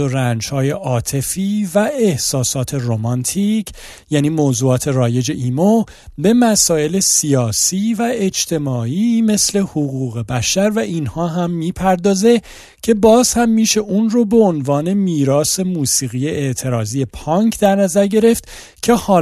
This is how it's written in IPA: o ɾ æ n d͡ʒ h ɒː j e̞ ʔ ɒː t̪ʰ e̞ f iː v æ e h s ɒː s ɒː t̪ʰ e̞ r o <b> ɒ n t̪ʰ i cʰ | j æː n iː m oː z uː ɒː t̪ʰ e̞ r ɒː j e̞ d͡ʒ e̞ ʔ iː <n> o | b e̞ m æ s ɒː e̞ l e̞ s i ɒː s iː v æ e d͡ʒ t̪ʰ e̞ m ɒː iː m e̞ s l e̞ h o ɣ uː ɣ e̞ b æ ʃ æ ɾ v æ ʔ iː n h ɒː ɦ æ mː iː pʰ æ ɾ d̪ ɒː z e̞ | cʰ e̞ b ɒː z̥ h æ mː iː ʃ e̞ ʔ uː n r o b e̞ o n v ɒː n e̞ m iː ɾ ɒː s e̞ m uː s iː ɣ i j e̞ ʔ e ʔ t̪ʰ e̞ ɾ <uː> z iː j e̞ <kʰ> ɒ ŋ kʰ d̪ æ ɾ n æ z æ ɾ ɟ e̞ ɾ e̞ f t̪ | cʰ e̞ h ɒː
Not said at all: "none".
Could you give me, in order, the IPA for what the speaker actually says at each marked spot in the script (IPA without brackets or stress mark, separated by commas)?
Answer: m, m, ɒː, pʰ